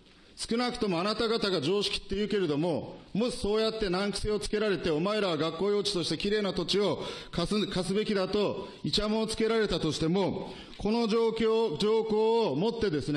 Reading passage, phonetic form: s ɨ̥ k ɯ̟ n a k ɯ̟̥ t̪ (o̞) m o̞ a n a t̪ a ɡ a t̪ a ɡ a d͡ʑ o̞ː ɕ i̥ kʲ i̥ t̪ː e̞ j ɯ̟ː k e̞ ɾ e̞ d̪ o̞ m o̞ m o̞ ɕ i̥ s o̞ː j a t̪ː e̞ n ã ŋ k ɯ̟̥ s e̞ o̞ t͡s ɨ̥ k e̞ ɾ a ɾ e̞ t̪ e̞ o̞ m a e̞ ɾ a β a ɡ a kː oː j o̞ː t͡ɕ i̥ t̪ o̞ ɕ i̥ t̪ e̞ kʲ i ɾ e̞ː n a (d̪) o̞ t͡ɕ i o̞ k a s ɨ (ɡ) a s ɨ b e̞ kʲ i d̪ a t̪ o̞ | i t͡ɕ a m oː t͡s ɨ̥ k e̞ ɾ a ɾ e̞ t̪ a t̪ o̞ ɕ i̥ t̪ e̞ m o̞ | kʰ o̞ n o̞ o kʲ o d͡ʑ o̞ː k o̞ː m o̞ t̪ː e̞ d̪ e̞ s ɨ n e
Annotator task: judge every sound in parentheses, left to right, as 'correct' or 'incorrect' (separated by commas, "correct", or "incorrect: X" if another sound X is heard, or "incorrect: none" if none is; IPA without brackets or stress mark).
correct, incorrect: t̪, incorrect: k